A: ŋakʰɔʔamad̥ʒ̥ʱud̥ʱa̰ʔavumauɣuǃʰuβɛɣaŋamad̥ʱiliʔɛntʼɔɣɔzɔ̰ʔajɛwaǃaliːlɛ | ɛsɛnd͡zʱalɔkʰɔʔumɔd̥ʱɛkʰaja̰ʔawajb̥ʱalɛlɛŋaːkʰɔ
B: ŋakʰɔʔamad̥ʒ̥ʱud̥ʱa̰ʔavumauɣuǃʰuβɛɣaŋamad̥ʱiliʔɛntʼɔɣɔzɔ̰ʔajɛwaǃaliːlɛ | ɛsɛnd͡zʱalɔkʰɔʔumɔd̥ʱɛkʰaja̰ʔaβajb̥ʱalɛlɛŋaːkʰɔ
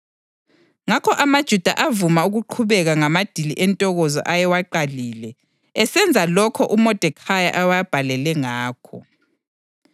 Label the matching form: A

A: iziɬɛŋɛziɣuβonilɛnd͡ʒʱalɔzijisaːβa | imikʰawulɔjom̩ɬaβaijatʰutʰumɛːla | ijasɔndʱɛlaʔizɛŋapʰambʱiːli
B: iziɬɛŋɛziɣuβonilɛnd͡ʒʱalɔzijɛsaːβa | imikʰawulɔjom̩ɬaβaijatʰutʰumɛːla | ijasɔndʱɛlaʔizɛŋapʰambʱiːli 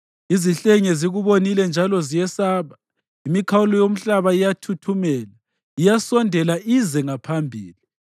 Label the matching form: B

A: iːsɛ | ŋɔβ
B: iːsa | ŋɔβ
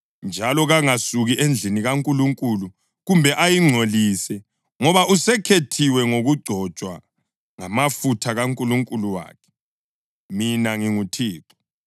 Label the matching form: A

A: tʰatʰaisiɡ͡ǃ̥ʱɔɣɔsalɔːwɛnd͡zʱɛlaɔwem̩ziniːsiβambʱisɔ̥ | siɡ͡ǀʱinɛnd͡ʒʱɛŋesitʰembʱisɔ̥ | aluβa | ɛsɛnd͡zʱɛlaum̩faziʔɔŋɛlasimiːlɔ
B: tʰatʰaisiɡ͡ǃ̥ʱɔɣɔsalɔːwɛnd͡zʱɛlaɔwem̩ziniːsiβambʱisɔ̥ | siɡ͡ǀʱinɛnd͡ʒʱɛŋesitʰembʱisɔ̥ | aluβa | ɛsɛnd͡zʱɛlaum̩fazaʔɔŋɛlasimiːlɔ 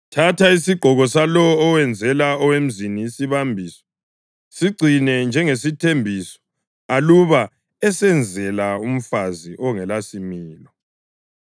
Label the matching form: A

